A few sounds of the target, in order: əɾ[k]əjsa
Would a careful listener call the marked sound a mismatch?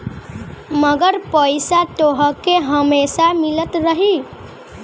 yes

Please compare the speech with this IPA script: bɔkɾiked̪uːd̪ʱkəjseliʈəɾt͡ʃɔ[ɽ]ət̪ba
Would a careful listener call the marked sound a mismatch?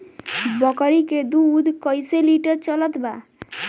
yes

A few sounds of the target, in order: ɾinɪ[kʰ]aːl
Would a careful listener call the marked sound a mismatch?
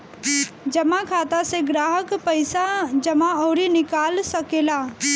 yes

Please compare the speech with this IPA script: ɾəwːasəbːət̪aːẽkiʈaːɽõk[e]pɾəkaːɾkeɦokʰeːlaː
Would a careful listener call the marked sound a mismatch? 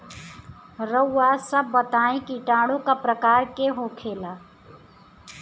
yes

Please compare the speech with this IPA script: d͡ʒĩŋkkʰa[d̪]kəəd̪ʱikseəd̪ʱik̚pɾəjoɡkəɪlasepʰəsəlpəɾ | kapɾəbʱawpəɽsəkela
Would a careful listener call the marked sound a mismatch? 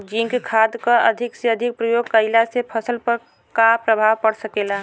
no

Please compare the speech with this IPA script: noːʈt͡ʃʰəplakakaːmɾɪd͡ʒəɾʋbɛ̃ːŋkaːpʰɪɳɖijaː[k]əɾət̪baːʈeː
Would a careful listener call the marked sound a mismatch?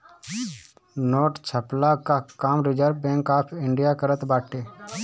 no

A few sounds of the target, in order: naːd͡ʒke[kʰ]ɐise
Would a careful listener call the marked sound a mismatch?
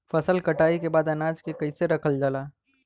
yes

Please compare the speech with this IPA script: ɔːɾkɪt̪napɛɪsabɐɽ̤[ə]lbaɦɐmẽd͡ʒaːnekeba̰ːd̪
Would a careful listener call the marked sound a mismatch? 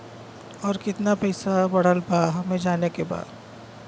no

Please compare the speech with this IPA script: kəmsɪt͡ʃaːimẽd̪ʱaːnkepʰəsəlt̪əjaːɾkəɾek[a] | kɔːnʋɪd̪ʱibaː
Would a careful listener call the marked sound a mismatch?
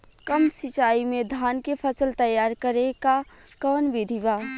no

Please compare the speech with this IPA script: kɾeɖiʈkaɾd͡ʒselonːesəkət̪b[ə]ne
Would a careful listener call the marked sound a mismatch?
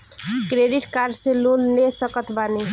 yes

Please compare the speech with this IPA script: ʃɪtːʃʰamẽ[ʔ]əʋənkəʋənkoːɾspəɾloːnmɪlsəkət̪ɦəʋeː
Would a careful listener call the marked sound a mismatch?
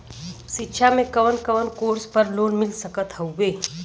yes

